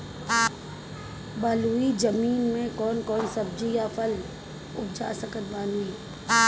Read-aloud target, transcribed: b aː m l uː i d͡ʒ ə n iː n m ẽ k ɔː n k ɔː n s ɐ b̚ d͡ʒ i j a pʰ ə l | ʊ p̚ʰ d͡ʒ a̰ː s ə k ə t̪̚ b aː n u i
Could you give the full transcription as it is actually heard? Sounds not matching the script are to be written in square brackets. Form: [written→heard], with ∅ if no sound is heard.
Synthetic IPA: b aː [m→∅] l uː i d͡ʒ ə [n→m] iː n m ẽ k ɔː n k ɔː n s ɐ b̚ d͡ʒ i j a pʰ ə l | ʊ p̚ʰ d͡ʒ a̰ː s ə k ə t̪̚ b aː n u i